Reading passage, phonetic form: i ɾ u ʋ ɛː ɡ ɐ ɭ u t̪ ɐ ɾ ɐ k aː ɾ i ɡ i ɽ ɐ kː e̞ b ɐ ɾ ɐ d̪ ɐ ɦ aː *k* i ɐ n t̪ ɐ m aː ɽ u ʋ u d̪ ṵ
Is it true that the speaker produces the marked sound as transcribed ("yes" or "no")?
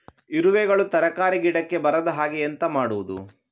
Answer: no